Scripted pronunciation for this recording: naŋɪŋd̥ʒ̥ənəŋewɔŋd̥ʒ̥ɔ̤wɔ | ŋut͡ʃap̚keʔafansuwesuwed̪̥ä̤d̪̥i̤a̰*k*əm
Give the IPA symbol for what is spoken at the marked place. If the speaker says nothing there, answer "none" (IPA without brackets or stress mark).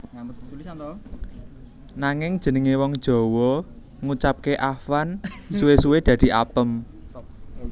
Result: p